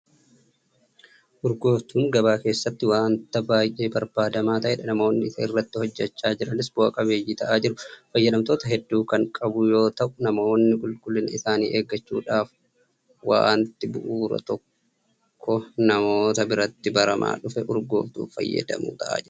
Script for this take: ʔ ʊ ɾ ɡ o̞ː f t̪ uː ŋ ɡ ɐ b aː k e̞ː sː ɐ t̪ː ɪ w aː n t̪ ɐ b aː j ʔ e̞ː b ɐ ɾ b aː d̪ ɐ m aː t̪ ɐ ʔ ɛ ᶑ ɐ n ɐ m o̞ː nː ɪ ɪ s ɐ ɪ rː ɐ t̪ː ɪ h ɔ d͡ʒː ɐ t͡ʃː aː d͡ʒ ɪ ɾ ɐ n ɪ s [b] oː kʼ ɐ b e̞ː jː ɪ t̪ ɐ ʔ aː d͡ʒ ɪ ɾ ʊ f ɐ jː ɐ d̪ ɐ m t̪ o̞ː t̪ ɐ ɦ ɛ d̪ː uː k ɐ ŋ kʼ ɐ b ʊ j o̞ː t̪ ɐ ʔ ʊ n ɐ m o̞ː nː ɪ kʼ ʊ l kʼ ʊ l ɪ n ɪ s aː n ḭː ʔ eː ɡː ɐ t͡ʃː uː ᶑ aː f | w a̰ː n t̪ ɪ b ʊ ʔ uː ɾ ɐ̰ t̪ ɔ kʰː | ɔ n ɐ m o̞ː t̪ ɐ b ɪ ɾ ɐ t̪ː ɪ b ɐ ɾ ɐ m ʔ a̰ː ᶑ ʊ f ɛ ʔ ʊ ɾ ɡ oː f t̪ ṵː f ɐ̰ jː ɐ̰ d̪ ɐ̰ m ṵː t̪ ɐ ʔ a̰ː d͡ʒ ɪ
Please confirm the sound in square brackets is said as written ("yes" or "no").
yes